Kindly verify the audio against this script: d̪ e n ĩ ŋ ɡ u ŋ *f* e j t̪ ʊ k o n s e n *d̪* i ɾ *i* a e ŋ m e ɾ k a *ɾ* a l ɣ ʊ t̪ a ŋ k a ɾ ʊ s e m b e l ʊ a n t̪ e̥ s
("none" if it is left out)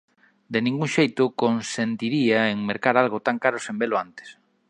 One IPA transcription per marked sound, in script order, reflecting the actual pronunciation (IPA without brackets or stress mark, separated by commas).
ʃ, t̪, i, ɾ